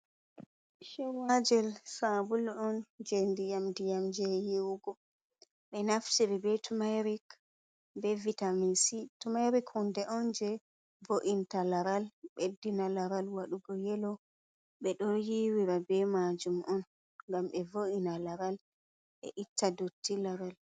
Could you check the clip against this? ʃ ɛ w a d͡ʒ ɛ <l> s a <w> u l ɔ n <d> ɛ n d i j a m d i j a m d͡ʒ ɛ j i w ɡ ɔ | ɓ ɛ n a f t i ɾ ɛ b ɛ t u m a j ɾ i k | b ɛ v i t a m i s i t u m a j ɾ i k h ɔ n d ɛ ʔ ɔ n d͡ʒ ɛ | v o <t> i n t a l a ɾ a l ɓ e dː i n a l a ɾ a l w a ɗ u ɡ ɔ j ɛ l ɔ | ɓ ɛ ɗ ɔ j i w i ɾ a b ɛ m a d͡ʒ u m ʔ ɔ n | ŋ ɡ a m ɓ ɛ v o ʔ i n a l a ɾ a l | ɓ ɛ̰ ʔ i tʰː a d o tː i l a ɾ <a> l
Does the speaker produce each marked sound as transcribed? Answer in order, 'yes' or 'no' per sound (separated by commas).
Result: yes, no, no, no, yes